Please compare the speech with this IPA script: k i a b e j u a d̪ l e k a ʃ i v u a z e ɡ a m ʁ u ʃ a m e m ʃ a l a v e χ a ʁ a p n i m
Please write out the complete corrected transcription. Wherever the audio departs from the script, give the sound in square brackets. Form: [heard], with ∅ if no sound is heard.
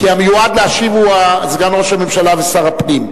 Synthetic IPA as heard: k i a [m] e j u a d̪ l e [∅] a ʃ i v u a z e ɡ a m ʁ [o] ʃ a m e m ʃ a l a v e [s] a ʁ a p n i m